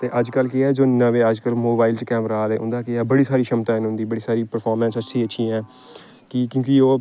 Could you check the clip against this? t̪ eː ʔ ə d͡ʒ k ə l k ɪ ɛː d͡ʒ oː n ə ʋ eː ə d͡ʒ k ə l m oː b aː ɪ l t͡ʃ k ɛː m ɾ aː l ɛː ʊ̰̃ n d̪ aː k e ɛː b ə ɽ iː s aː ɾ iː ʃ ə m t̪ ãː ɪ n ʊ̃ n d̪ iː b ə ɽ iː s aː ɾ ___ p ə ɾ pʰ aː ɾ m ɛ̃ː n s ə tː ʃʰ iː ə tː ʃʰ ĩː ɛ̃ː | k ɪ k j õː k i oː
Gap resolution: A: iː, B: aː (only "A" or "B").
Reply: A